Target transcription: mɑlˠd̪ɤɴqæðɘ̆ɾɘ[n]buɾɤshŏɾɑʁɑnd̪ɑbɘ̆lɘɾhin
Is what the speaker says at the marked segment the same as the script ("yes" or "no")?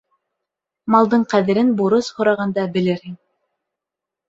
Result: yes